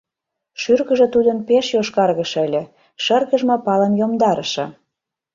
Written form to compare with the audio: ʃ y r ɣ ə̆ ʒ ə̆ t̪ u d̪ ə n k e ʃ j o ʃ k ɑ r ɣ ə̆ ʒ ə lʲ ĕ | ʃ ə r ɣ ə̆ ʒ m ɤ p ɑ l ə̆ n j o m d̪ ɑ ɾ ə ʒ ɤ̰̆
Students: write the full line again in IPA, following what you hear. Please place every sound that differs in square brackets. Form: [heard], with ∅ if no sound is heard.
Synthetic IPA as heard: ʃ y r ɣ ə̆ ʒ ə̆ t̪ u d̪ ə n [p] e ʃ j o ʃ k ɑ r ɣ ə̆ [ʃ] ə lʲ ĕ | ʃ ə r ɣ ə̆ ʒ m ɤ p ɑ l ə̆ n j o m d̪ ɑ ɾ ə [ʃ] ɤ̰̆